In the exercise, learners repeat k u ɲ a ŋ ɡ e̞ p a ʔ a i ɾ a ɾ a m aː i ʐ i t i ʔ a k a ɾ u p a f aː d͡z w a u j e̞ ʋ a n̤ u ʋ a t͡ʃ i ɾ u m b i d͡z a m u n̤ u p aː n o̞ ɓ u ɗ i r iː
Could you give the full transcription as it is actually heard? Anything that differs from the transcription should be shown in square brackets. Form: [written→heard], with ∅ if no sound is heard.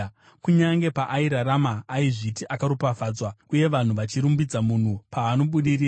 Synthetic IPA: k u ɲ a ŋ ɡ e̞ p a ʔ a i ɾ a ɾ a m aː i ʐ i t i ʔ a k a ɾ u p a f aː d͡z w a u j e̞ ʋ a n̤ u ʋ a t͡ʃ i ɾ u m b i d͡z a m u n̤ u p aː n o̞ ɓ u ɗ i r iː